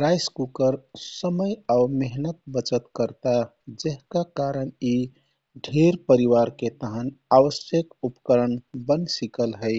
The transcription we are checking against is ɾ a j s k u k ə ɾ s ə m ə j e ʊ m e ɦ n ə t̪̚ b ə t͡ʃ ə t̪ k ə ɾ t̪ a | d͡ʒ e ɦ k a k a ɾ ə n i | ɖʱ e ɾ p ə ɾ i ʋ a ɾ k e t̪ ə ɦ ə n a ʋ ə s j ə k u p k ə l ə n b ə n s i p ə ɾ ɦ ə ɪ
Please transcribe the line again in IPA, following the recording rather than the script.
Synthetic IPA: ɾ a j s k u k ə ɾ s ə m ə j a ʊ m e ɦ n ə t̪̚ b ə t͡ʃ ə t̪ k ə ɾ t̪ a | d͡ʒ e ɦ k a k a ɾ ə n i | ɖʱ e ɾ p ə ɾ i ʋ a ɾ k e t̪ ə ɦ ə n a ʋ ə s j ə k u p k ə ɾ ə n b ə n s i k ə l ɦ ə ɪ